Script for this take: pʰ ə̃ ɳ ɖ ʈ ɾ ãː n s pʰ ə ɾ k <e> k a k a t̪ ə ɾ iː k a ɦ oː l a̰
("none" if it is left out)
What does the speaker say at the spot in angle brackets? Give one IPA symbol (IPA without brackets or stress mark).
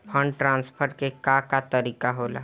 e